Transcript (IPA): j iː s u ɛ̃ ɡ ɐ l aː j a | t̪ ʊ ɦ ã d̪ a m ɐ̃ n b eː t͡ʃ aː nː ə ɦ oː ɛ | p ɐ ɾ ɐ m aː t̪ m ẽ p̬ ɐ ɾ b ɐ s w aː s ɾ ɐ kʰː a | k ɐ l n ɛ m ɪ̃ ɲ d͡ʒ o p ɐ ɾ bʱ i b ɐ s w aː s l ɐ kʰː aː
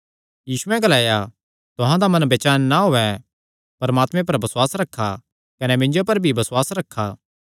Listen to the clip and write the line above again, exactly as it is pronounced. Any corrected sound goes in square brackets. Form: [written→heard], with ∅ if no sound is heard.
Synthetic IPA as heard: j iː s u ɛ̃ ɡ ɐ l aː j a | t̪ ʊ ɦ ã d̪ a m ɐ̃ n b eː t͡ʃ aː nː [ə→a] ɦ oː ɛ | p ɐ ɾ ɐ m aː t̪ m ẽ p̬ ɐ ɾ b ɐ s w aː s ɾ ɐ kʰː a | k ɐ [l→∅] n ɛ m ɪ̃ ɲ d͡ʒ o p ɐ ɾ bʱ i b ɐ s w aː s [l→ɾ] ɐ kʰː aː